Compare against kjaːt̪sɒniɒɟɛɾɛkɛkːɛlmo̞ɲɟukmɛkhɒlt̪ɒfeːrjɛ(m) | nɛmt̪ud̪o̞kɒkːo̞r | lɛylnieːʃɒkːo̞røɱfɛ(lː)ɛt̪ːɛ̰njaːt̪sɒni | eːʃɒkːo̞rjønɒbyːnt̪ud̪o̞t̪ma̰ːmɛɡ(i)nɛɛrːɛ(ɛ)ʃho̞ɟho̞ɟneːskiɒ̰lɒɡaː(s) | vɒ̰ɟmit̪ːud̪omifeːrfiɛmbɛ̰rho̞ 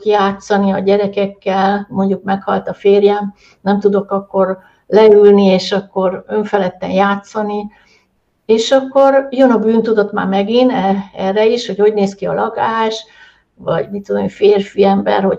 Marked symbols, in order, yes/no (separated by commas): yes, no, yes, no, no